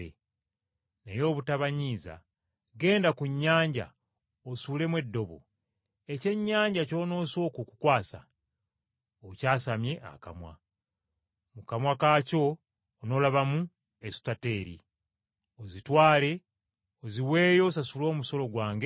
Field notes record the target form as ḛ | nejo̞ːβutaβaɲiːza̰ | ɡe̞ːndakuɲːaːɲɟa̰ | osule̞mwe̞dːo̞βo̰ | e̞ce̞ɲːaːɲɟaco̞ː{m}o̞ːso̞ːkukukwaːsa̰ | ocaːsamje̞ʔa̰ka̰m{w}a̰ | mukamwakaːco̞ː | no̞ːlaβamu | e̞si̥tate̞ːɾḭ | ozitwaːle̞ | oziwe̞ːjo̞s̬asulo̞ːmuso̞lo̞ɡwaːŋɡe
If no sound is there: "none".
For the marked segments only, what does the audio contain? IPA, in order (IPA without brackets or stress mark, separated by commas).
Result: n, w